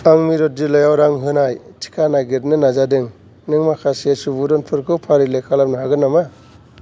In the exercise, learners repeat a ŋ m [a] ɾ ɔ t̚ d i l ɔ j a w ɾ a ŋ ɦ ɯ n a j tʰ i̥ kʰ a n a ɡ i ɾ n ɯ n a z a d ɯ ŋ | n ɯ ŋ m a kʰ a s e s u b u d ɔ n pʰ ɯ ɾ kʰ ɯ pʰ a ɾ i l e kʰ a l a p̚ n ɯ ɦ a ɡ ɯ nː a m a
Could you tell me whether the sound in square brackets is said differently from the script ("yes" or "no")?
yes